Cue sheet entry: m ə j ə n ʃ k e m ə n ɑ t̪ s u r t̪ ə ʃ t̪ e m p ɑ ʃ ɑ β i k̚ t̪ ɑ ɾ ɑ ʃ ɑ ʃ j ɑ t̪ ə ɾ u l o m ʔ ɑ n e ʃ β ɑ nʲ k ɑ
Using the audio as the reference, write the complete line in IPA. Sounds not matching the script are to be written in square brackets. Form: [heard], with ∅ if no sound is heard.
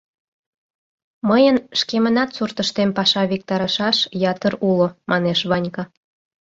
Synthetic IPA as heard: m ə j ə n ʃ k e m ə n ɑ t̪ s u r t̪ ə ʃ t̪ e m p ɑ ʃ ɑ β i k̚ t̪ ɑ ɾ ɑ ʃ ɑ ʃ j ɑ t̪ ə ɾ u l o m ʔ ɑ n e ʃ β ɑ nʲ k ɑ